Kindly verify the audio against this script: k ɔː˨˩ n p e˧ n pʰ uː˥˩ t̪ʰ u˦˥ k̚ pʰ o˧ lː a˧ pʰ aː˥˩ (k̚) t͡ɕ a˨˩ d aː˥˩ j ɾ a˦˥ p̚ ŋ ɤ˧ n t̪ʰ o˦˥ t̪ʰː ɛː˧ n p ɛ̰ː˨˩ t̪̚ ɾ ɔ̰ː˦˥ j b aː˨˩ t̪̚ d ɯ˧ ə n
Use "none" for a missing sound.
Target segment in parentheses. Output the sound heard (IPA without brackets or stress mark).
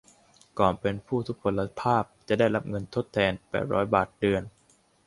p̚